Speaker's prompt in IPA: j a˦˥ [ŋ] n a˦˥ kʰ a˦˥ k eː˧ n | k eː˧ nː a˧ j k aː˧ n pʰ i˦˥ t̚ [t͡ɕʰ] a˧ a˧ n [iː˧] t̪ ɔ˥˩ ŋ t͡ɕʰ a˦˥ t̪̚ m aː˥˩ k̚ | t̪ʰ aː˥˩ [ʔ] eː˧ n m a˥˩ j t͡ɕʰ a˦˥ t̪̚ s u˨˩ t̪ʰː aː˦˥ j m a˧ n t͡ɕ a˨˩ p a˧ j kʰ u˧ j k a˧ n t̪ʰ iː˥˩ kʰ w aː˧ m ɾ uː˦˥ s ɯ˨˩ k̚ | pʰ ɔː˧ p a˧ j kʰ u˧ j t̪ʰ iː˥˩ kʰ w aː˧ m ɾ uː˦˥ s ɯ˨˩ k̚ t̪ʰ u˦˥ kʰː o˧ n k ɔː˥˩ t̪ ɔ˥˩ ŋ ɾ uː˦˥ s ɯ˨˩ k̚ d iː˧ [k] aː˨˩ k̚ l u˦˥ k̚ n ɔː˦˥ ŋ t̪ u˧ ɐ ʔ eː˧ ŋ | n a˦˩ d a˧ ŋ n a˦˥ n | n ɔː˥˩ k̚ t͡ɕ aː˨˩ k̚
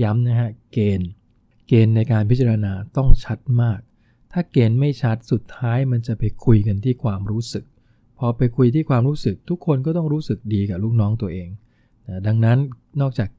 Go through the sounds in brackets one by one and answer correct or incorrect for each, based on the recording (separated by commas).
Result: incorrect, incorrect, incorrect, incorrect, correct